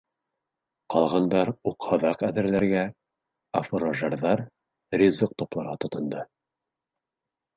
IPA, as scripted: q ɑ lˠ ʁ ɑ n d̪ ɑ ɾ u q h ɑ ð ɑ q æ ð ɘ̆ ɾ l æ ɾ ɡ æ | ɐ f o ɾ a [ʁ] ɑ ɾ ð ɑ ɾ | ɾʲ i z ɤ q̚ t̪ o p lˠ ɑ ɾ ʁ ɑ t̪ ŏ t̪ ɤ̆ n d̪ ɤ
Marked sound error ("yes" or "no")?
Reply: yes